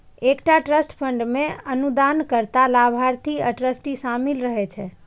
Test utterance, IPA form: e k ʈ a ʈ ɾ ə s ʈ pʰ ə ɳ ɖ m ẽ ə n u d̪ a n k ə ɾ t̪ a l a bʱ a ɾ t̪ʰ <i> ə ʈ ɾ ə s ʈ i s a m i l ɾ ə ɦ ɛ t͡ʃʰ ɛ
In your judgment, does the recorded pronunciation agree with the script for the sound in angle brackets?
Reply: yes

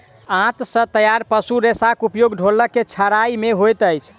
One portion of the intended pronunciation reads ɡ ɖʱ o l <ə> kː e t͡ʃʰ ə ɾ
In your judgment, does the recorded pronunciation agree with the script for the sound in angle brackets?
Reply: yes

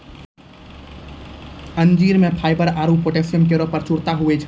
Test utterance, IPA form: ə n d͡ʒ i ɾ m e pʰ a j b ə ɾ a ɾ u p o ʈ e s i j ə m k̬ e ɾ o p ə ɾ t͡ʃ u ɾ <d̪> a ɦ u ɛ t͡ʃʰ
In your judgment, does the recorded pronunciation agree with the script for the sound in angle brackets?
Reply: no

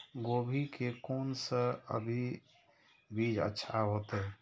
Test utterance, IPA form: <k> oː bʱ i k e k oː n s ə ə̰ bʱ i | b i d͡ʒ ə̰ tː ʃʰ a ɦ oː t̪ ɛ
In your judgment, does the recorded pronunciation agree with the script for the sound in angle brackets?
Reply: no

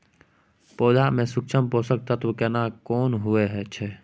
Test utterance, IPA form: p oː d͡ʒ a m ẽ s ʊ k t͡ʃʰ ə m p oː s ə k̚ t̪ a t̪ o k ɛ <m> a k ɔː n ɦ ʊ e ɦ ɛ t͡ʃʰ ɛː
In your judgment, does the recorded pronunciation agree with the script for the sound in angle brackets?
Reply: no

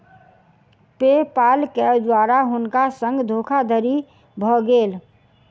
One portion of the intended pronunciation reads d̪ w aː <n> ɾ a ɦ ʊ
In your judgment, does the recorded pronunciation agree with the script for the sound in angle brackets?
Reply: no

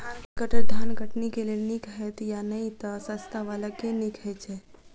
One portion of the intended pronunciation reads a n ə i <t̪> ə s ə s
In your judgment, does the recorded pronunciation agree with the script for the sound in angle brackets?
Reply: yes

